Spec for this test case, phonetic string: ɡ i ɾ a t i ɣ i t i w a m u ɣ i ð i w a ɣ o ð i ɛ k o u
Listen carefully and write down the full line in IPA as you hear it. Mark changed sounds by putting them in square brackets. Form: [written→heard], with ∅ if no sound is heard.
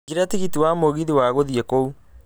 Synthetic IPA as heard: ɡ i ɾ a t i ɣ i t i w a m [u→o] ɣ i ð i w a ɣ o ð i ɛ k o u